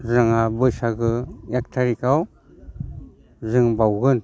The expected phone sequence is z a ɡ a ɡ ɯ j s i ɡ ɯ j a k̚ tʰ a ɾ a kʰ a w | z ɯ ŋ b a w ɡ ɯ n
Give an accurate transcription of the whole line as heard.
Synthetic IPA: z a ŋ a b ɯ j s a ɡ ɯ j a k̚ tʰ a ɾ i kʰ a w | z ɯ ŋ b a w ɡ ɯ n